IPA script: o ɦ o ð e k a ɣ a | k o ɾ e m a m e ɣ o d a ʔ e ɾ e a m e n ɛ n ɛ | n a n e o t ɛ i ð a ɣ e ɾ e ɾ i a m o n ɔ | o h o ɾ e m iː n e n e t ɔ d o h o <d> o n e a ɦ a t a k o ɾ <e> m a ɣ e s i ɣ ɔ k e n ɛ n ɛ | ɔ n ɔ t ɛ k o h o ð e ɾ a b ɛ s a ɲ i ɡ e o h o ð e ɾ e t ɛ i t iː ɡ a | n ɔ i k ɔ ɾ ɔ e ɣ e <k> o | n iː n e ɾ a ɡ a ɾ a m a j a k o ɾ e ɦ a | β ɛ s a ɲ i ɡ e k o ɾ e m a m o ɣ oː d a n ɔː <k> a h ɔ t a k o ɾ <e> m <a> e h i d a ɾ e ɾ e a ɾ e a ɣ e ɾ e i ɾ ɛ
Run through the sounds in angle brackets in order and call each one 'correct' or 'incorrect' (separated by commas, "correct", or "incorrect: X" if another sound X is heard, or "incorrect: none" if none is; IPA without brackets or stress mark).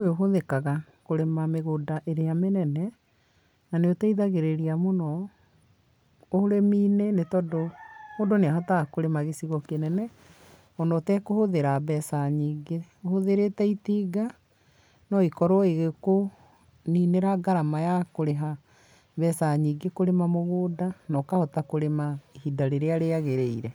correct, correct, correct, correct, correct, correct